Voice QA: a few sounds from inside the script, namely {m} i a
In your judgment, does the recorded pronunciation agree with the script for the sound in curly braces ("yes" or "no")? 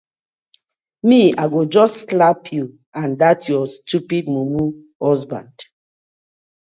yes